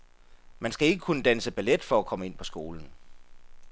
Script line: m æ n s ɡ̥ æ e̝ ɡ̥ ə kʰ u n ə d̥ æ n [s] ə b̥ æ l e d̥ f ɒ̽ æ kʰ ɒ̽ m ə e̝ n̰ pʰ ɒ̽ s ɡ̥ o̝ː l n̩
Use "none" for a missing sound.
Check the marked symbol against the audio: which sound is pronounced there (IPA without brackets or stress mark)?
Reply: s